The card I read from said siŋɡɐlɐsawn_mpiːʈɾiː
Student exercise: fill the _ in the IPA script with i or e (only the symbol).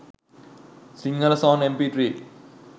e